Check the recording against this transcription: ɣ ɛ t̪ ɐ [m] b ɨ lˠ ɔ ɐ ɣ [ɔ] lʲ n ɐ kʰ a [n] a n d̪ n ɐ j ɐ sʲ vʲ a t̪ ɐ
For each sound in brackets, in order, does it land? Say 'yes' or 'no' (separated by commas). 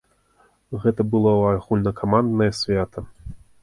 no, no, no